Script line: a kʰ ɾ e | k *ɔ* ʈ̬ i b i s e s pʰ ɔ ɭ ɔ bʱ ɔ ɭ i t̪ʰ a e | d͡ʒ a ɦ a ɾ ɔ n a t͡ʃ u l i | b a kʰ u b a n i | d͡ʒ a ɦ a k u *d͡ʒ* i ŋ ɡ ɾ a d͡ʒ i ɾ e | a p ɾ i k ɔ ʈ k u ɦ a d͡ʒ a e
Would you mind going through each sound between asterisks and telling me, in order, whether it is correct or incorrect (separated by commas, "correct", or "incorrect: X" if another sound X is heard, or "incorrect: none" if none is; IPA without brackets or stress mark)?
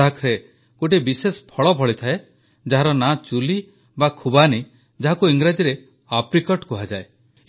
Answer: incorrect: o, incorrect: none